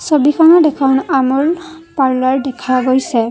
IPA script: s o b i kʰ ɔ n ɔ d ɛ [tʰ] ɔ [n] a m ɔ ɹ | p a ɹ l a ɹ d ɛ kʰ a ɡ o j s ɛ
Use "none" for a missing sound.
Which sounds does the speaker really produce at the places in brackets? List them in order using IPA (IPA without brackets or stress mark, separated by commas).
kʰ, n